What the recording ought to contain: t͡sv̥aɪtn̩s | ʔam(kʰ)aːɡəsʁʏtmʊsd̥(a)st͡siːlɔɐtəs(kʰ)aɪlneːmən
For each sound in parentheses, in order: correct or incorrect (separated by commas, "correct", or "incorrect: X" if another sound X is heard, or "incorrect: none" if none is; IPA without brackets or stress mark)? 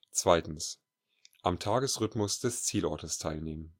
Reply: incorrect: tʰ, incorrect: ɛ, incorrect: tʰ